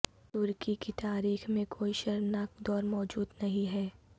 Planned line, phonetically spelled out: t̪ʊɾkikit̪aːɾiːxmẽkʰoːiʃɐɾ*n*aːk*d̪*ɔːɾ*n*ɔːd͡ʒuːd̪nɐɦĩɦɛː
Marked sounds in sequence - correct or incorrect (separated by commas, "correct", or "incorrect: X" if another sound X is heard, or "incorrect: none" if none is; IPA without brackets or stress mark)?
correct, correct, incorrect: m